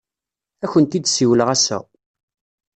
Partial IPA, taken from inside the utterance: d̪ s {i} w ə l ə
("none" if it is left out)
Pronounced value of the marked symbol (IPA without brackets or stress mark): i